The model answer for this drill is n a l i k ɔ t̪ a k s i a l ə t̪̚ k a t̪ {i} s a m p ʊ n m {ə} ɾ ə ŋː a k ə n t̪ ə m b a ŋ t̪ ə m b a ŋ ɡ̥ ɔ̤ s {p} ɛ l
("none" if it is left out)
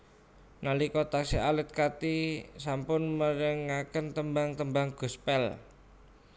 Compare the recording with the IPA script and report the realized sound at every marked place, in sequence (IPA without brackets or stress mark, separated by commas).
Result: i, ə, p